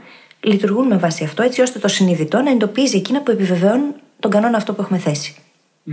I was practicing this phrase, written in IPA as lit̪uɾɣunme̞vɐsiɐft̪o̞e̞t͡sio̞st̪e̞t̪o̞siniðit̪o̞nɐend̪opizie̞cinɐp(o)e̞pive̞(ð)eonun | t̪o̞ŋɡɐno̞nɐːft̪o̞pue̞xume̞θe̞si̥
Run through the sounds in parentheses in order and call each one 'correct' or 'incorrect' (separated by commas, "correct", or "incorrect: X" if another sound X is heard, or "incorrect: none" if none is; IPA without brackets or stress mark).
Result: incorrect: u, incorrect: v